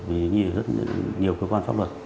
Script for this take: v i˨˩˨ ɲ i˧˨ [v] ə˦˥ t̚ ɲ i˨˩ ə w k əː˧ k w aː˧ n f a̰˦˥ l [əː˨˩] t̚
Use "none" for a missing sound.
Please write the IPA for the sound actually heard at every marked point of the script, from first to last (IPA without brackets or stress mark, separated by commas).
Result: z, ə˨˩